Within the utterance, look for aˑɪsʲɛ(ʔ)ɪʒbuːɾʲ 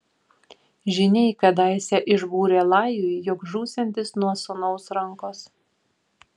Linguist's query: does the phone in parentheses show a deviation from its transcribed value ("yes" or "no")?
no